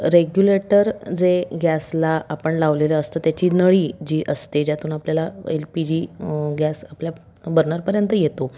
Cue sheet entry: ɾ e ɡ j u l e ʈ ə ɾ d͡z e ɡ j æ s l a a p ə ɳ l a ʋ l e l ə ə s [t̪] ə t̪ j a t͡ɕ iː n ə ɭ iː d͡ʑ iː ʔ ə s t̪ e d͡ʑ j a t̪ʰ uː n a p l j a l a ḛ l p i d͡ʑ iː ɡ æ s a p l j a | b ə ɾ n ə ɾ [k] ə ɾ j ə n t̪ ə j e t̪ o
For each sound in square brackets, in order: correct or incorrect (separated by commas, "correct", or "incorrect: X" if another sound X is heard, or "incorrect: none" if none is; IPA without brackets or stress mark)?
correct, incorrect: p